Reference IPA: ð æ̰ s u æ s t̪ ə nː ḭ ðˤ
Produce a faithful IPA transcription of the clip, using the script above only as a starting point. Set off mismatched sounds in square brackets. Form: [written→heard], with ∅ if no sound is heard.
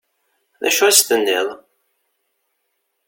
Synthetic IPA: ð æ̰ [s→ʃ] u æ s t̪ ə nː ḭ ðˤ

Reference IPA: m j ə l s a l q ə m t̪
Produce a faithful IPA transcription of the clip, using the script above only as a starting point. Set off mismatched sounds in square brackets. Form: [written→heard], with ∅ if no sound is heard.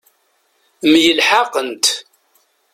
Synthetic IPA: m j ə l [s→ħ] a [l→∅] q ə [m→n] t̪

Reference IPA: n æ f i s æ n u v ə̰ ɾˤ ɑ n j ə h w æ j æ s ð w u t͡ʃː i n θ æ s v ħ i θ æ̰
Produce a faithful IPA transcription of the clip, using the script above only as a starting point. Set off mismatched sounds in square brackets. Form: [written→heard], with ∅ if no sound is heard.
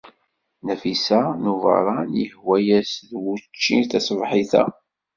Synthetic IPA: n æ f i s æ n u v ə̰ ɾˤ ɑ n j ə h w æ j æ s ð w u t͡ʃː i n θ æ s v ħ i θ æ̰

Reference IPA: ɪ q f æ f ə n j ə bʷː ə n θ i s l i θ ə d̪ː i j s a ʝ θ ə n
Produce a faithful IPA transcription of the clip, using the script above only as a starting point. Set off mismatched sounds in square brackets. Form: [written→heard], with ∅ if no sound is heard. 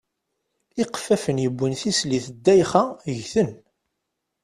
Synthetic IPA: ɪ q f æ f ə n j ə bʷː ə n θ i s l i θ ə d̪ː [i→æ] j [s→χ] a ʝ θ ə n

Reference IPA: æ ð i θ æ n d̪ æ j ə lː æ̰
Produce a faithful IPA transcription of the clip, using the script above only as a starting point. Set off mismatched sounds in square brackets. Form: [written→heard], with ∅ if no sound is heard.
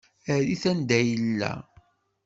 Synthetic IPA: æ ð i θ æ n d̪ æ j ə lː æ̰

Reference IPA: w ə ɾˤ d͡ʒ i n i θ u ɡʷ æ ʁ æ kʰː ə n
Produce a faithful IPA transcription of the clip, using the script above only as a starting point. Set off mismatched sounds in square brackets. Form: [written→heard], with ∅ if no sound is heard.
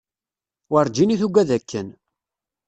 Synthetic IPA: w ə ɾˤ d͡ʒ i n i θ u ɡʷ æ [ʁ→ð] æ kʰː ə n

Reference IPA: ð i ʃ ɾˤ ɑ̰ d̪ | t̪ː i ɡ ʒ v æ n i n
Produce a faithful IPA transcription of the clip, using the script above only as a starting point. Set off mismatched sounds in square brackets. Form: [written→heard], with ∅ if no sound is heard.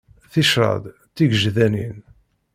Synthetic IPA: [ð→θ] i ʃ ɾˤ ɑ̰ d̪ | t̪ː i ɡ ʒ [v→ð] æ n i n

